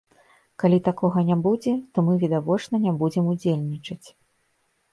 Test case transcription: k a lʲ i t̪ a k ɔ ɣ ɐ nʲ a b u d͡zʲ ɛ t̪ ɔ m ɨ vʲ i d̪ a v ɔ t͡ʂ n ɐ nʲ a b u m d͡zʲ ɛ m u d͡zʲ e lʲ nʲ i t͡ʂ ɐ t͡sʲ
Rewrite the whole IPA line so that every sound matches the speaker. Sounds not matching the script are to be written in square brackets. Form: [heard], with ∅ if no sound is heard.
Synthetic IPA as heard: k a lʲ i t̪ a k ɔ ɣ ɐ nʲ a b u d͡zʲ ɛ t̪ ɔ m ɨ vʲ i d̪ a v ɔ t͡ʂ n ɐ nʲ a b u [∅] d͡zʲ ɛ m u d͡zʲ e lʲ nʲ i t͡ʂ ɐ t͡sʲ